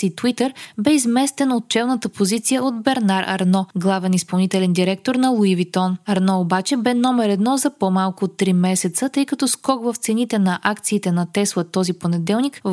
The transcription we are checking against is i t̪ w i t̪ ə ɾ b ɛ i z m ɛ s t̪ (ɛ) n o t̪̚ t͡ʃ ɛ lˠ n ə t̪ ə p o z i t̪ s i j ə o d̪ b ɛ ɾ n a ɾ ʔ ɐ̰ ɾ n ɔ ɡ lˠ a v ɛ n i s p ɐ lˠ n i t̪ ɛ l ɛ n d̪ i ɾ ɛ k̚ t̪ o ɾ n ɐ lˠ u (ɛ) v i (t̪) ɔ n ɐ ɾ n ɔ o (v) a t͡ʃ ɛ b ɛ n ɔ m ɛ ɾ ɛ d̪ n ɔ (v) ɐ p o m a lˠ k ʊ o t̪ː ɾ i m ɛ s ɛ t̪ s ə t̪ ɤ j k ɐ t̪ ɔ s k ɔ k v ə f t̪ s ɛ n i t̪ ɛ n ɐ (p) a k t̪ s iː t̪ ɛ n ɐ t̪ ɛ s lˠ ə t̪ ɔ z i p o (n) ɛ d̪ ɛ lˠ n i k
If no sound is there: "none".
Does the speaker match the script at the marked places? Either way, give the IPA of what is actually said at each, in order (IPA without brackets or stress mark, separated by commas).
ɛ, i, t̪, b, z, ʔ, n